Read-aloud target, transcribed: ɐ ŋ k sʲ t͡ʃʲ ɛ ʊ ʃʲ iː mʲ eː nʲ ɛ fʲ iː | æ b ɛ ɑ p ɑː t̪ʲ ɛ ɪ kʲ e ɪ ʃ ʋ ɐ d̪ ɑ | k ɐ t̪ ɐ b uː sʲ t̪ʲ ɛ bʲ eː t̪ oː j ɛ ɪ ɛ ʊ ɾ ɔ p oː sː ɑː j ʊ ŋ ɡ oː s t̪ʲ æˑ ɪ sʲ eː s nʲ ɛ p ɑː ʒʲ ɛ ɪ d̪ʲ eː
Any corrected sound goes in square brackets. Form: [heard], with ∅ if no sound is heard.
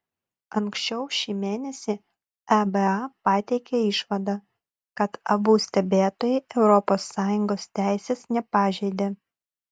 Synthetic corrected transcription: ɐ ŋ k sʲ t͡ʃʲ ɛ ʊ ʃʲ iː mʲ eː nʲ ɛ [sʲ] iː | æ b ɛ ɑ p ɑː t̪ʲ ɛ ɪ kʲ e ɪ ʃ ʋ ɐ d̪ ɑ | k ɐ t̪ ɐ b uː sʲ t̪ʲ ɛ bʲ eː t̪ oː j ɛ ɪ ɛ ʊ ɾ ɔ p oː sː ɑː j ʊ ŋ ɡ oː s t̪ʲ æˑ ɪ sʲ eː s nʲ ɛ p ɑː ʒʲ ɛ ɪ d̪ʲ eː

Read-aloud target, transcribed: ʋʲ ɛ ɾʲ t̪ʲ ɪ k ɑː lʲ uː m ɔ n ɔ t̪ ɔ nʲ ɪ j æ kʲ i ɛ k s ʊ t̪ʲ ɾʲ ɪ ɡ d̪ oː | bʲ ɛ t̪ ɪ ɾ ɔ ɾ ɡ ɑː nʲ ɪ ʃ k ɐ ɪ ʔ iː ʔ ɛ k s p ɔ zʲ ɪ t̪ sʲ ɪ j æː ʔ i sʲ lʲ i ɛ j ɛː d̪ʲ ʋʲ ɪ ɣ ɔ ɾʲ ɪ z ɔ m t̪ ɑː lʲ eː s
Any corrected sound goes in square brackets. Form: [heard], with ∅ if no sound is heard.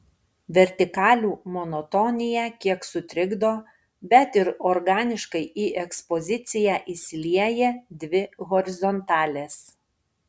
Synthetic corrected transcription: ʋʲ ɛ ɾʲ t̪ʲ ɪ k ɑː lʲ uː m ɔ n ɔ t̪ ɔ nʲ ɪ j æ kʲ i ɛ k s ʊ t̪ʲ ɾʲ ɪ ɡ d̪ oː | bʲ ɛ t̪ ɪ ɾ ɔ ɾ ɡ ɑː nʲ ɪ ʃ k ɐ ɪ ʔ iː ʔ ɛ k s p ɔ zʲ ɪ t̪ sʲ ɪ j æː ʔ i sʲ lʲ i ɛ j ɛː d̪ʲ ʋʲ ɪ ɣ ɔ ɾʲ ɪ z ɔ [n] t̪ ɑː lʲ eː s

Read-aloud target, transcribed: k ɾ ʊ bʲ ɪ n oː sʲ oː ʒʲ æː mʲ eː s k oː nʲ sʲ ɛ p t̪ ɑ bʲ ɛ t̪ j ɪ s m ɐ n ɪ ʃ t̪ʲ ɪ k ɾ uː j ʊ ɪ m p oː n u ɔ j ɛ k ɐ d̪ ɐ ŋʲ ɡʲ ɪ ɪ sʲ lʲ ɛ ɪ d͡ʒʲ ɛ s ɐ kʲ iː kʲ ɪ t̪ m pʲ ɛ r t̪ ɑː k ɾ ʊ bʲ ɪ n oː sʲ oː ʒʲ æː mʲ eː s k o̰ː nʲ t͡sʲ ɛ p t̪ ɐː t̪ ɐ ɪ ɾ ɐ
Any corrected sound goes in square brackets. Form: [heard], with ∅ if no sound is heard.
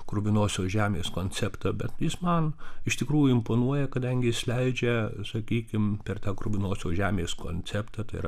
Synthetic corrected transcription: k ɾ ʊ bʲ ɪ n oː sʲ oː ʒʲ æː mʲ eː s k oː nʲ [t͡sʲ] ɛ p t̪ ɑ bʲ ɛ t̪ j ɪ s m ɐ n ɪ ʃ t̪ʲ ɪ k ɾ uː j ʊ ɪ m p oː n u ɔ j ɛ k ɐ d̪ ɐ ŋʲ ɡʲ ɪ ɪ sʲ lʲ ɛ ɪ d͡ʒʲ ɛ s ɐ kʲ iː kʲ ɪ [∅] m pʲ ɛ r t̪ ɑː k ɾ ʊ bʲ ɪ n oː sʲ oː ʒʲ æː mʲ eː s k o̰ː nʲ t͡sʲ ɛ p t̪ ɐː t̪ ɐ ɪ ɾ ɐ

